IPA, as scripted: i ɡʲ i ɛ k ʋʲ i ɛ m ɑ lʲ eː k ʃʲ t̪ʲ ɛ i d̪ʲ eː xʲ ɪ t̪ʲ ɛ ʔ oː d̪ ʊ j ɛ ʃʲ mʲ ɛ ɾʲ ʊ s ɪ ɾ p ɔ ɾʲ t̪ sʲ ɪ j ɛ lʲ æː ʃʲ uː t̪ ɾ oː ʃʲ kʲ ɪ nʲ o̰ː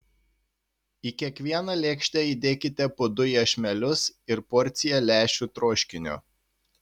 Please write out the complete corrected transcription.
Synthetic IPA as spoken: i kʲ i ɛ k ʋʲ i ɛ n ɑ lʲ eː k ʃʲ t̪ʲ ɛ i d̪ʲ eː kʲ ɪ t̪ʲ ɛ p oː d̪ ʊ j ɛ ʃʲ mʲ ɛ lʲ ʊ s ɪ ɾ p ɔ ɾʲ t̪ sʲ ɪ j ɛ lʲ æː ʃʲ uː t̪ ɾ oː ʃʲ kʲ ɪ nʲ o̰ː